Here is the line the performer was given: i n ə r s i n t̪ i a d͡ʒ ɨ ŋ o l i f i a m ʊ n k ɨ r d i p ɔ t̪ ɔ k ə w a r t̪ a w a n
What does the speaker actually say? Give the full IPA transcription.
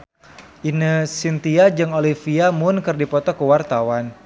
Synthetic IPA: i n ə s i n t̪ i a d͡ʒ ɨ ŋ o l i f i a m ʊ n k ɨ r d i p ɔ t̪ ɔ k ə w a r t̪ a w a n